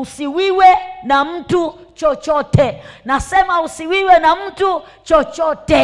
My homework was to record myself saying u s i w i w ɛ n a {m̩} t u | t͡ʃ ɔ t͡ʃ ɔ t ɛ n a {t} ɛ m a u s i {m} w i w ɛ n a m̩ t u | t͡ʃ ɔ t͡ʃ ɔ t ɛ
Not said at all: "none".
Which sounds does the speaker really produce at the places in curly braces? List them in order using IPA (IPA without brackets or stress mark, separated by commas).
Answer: m̩, s, none